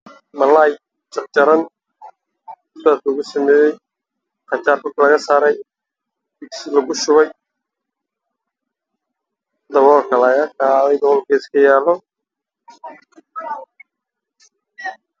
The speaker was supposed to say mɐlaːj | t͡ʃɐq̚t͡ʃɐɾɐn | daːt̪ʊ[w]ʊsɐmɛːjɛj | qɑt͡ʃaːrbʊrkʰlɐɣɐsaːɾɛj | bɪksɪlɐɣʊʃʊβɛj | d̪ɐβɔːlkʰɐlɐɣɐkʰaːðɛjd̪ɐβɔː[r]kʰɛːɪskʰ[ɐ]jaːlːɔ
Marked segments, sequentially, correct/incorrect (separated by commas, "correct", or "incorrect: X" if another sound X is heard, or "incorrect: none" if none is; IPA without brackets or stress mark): incorrect: ɣ, incorrect: l, correct